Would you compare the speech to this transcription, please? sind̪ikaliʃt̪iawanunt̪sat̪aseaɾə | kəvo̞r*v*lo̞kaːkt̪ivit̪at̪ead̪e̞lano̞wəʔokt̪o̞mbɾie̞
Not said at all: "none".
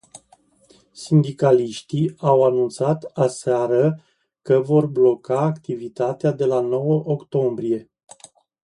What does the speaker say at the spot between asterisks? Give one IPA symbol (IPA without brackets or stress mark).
b